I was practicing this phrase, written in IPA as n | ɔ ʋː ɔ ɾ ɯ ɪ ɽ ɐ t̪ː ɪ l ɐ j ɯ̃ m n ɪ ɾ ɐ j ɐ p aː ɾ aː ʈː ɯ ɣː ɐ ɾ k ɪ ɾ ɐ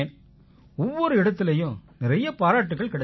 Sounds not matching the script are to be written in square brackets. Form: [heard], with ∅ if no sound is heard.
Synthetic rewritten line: n | ɔ ʋː ɔ ɾ ɯ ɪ ɽ ɐ t̪ː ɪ l ɐ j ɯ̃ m n ɪ ɾ ɐ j ɐ p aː ɾ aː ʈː ɯ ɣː ɐ [ɭ] k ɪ [ɽ] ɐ